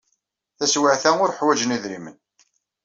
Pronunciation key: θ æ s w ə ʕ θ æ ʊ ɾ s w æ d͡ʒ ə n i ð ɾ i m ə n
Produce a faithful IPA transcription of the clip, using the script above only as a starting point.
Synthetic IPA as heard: θ æ s w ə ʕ θ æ ʊ ɾ ħ w æ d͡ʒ ə n i ð ɾ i m ə n